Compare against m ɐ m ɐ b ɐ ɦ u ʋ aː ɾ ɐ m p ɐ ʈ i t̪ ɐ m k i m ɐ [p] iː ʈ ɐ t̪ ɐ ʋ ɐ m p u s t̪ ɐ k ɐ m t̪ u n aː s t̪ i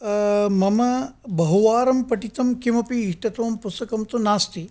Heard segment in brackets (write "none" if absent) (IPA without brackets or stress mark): p